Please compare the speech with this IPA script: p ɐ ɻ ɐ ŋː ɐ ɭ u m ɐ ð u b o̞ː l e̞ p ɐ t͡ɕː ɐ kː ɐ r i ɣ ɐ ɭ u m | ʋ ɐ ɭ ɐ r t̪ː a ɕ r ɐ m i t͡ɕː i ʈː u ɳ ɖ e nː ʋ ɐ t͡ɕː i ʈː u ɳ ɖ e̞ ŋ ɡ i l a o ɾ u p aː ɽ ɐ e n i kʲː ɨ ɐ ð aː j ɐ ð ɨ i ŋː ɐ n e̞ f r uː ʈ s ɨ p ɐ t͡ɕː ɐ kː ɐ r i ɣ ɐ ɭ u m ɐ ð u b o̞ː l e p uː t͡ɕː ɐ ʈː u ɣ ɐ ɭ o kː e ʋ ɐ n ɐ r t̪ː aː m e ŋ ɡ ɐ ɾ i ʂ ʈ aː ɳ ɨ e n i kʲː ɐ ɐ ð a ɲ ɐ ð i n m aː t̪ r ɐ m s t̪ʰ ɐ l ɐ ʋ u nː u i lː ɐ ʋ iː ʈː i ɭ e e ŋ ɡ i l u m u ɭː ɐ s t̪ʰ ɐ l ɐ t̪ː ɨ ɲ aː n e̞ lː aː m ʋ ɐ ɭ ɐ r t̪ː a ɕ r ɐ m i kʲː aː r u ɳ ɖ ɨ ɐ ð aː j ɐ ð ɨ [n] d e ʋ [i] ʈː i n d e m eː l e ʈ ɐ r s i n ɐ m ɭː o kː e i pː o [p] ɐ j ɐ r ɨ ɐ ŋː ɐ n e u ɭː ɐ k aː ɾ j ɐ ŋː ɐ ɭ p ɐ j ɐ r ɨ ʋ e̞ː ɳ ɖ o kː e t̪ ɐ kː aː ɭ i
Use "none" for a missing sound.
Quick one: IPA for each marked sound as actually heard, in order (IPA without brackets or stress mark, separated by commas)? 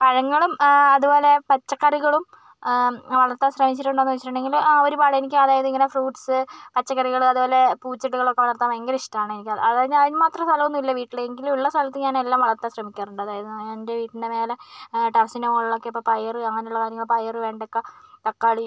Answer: n, iː, p